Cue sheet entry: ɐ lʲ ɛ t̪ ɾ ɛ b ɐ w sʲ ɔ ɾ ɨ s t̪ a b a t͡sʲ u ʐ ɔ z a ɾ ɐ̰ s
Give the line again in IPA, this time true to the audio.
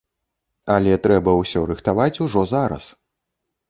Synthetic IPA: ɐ lʲ ɛ t̪ ɾ ɛ b ɐ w sʲ ɔ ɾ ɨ x t̪ a v a t͡sʲ u ʐ ɔ z a ɾ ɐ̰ s